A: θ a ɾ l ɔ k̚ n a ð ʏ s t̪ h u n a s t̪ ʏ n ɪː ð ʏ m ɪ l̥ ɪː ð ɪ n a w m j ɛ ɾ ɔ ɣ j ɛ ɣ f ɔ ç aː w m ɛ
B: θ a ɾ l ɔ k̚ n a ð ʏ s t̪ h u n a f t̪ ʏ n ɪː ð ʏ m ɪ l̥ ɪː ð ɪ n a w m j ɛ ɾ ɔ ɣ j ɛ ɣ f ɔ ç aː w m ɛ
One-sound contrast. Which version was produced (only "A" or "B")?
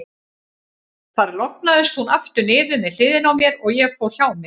B